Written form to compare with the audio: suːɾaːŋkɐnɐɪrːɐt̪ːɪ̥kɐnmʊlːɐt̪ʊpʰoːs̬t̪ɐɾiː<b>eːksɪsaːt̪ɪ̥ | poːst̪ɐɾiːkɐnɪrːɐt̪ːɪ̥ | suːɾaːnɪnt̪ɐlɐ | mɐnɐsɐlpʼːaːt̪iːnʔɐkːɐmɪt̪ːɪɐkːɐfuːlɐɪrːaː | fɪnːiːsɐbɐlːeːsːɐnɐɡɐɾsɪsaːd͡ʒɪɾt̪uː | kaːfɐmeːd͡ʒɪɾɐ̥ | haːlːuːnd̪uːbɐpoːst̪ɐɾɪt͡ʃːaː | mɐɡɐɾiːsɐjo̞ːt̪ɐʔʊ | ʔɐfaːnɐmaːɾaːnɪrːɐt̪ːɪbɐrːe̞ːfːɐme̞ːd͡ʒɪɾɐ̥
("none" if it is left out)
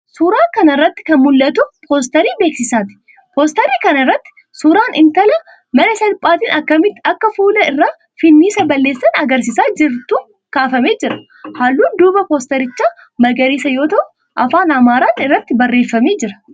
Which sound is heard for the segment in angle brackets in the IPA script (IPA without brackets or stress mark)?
b